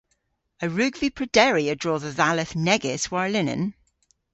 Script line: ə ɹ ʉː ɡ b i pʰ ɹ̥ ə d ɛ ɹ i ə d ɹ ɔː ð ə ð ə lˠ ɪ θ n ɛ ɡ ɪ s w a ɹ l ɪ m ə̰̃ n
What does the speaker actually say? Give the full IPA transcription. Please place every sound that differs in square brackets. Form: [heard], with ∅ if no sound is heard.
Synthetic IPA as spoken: ə ɹ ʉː ɡ [v] i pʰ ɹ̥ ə d ɛ ɹ i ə d ɹ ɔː ð ə ð [a] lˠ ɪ θ n ɛ ɡ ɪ s w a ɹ l ɪ [n] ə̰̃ n